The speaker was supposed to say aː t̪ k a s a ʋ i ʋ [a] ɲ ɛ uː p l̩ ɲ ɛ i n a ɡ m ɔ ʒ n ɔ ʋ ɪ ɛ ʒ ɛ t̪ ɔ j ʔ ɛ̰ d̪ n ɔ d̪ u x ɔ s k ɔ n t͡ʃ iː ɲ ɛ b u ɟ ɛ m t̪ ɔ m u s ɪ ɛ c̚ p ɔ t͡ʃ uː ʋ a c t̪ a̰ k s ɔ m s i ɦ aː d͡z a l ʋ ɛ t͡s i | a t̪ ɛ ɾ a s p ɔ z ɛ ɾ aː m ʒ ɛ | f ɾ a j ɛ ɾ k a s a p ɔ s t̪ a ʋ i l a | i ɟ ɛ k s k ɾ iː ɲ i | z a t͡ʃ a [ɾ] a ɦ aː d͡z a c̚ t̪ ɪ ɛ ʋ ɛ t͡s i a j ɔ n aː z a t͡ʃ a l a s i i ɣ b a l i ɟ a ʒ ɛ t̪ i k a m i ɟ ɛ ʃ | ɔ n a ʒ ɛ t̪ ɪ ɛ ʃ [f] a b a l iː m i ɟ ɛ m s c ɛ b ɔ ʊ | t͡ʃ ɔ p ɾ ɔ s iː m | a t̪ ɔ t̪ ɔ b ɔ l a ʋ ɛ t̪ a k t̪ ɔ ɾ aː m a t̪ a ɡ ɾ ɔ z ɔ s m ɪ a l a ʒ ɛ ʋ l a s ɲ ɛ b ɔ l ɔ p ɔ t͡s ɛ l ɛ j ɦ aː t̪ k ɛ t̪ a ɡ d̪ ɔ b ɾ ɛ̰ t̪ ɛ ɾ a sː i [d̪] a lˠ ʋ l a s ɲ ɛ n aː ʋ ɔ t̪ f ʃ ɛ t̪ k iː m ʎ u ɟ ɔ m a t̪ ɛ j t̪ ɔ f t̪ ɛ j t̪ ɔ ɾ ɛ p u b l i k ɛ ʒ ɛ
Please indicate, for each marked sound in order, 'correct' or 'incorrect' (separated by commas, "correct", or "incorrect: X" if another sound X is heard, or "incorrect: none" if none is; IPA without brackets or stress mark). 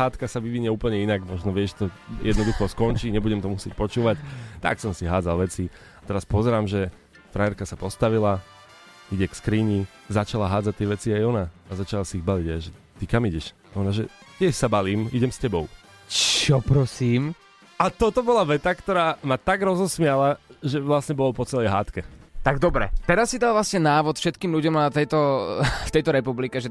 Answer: incorrect: i, incorrect: l, incorrect: s, correct